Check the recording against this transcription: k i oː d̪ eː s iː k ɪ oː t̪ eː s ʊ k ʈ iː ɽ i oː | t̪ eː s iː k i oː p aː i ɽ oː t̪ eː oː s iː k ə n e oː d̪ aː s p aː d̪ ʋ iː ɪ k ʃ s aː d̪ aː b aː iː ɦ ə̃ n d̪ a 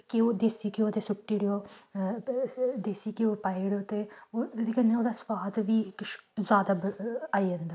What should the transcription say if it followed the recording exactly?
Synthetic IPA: k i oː d̪ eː s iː k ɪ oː t̪ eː s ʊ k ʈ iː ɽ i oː | d̪ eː s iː k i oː p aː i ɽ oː t̪ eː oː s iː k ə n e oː d̪ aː s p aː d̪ ʋ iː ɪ k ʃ z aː d̪ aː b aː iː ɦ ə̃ n d̪ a